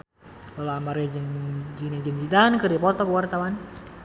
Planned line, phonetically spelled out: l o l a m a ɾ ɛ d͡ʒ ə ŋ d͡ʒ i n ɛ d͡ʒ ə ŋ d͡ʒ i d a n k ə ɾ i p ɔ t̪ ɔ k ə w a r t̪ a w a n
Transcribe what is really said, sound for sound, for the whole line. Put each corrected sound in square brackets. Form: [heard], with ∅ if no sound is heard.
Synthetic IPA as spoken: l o l a m a ɾ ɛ d͡ʒ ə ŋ d͡ʒ i n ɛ d͡ʒ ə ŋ d͡ʒ i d a n k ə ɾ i p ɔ t̪ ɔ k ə w a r t̪ a w a n

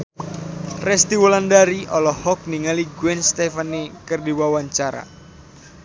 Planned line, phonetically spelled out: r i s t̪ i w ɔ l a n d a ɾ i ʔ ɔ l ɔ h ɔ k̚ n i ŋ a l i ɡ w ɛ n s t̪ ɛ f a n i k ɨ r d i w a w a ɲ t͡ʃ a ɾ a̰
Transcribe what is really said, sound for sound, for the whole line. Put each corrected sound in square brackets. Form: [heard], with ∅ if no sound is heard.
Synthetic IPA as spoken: r [ɛ] s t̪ i w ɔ l a n d a ɾ i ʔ ɔ l ɔ h ɔ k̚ n i ŋ a l i ɡ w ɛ n s t̪ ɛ f a n i k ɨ r d i w a w a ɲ t͡ʃ a ɾ a̰

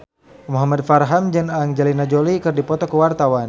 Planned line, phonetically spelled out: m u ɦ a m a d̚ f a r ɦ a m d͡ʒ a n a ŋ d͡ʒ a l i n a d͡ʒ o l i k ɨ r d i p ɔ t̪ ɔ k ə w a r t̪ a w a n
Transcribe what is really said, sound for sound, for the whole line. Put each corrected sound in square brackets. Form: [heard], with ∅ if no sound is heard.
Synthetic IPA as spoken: m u ɦ a m a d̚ f a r ɦ a m d͡ʒ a n a ŋ d͡ʒ a l i n a d͡ʒ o l i k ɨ r d i p ɔ t̪ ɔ k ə w a r t̪ a w a n

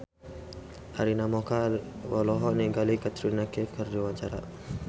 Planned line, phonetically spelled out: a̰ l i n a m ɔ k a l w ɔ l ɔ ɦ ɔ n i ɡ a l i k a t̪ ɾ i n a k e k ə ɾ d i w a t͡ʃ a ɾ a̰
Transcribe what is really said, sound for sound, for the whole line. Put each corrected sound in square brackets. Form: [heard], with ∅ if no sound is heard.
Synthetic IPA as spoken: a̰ [ɾ] i n a m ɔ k a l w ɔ l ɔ ɦ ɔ n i ɡ a l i k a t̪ ɾ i n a k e k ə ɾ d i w a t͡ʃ a ɾ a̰

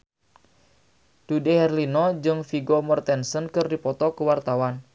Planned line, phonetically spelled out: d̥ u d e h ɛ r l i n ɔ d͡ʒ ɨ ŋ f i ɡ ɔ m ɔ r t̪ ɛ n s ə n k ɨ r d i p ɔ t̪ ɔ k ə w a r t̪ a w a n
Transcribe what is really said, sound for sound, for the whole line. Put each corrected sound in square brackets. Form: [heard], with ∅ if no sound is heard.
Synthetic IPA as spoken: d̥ u d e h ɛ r l i n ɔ d͡ʒ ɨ ŋ f i ɡ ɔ m ɔ r t̪ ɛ n s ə n k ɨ r d i p ɔ t̪ ɔ k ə w a r t̪ a w a n

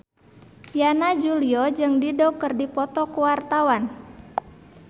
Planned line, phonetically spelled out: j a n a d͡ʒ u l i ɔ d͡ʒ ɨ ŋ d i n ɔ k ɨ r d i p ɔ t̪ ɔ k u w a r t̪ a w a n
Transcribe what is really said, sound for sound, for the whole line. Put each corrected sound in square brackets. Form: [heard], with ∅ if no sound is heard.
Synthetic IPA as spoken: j a n a d͡ʒ u l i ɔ d͡ʒ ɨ ŋ d i [d] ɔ k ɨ r d i p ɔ t̪ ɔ k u w a r t̪ a w a n

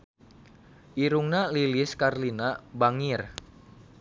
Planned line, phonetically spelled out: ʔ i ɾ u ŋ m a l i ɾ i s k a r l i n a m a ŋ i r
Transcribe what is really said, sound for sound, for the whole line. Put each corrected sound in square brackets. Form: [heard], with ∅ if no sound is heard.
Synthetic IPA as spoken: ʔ i ɾ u ŋ [n] a l i [l] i s k a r l i n a [b] a ŋ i r

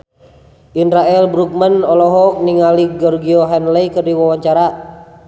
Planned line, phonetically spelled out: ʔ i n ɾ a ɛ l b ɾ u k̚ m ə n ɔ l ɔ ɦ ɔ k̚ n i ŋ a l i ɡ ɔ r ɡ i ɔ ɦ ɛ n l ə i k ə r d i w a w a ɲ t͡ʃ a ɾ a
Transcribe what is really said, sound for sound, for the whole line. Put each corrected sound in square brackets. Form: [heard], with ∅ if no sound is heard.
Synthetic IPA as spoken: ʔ i n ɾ a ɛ l b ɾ u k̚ m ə n ɔ l ɔ ɦ ɔ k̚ n i ŋ a l i ɡ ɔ r ɡ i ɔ ɦ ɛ n l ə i k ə r d i w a w a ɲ t͡ʃ a ɾ a

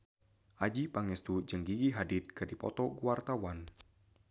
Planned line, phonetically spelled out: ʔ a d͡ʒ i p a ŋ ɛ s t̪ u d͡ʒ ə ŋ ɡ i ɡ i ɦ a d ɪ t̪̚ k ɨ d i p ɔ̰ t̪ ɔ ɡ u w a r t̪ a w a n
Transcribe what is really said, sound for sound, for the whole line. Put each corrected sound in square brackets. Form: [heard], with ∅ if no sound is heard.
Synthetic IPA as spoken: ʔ a d͡ʒ i p a ŋ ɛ s t̪ u d͡ʒ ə ŋ ɡ i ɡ i ɦ a d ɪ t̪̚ k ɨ d i p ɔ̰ t̪ ɔ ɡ u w a r t̪ a w a n

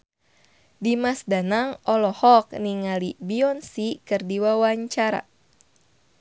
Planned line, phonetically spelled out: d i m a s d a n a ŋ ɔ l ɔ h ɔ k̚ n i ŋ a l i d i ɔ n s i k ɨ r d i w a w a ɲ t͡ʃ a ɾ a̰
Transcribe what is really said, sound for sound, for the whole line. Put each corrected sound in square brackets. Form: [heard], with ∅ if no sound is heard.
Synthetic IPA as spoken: d i m a s d a n a ŋ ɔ l ɔ h ɔ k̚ n i ŋ a l i [b] i ɔ n s i k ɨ r d i w a w a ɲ t͡ʃ a ɾ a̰

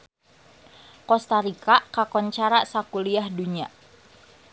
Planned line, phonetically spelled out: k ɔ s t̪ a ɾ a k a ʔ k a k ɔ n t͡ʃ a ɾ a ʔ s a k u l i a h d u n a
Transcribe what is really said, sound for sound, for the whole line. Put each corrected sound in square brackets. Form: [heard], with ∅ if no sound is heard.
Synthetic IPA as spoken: k ɔ s t̪ a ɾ [i] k a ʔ k a k ɔ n t͡ʃ a ɾ a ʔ s a k u l i a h d u [ɲ] a

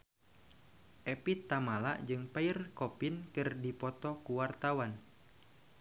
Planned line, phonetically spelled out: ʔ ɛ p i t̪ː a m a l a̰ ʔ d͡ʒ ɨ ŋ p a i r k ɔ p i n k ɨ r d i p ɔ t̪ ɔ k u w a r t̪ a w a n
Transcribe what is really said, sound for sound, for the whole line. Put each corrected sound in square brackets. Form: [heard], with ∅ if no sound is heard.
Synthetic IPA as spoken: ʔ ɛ p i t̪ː a m a l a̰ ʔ d͡ʒ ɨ ŋ p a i r k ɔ p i n k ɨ r d i p ɔ t̪ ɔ k u w a r t̪ a w a n

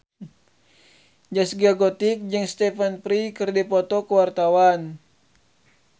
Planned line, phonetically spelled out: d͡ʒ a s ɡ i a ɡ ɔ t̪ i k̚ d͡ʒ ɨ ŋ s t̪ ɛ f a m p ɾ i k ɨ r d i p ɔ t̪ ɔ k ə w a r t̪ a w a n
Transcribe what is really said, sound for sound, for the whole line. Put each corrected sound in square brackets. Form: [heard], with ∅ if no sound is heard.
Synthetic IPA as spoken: d͡ʒ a s ɡ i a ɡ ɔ t̪ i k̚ d͡ʒ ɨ ŋ s t̪ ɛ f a [n] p ɾ i k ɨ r d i p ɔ t̪ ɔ k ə w a r t̪ a w a n

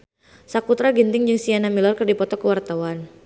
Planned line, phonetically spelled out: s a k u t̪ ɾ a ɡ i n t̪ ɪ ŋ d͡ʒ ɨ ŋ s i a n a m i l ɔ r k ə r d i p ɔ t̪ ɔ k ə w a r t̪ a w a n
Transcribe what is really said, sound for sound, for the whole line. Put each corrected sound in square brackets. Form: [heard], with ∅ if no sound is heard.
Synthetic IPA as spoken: s a k u t̪ ɾ a ɡ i n t̪ ɪ ŋ d͡ʒ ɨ ŋ s i a n a m i l ɔ r k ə r d i p ɔ t̪ ɔ k ə w a r t̪ a w a n

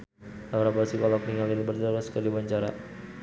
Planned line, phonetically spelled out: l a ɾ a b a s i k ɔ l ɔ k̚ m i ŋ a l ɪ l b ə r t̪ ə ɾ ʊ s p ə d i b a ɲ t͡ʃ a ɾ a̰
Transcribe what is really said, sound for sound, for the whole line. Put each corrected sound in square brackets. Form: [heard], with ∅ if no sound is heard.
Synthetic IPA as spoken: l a ɾ a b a s i k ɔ l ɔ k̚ [n] i ŋ a l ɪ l b ə r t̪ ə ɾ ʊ s [k] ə d i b a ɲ t͡ʃ a ɾ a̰

